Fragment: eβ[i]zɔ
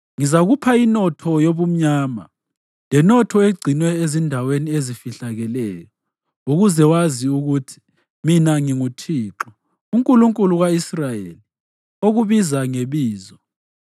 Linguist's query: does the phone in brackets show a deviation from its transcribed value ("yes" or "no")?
yes